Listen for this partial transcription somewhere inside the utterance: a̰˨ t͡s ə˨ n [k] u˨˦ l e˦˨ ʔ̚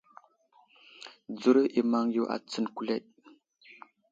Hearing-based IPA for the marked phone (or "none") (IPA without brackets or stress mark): k